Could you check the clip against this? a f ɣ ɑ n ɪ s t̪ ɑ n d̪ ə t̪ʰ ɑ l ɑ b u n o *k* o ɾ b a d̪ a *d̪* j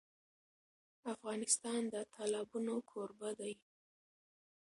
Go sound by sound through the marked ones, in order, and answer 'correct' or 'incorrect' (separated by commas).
incorrect, incorrect